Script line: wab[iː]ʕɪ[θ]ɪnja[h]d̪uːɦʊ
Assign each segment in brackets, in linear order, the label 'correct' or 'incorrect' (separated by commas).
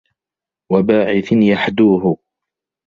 incorrect, correct, incorrect